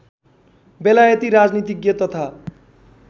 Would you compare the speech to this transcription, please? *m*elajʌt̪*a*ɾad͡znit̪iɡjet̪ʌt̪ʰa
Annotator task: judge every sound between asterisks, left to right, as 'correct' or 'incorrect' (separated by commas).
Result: incorrect, incorrect